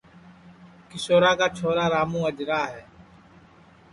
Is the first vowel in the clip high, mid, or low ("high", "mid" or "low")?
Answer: high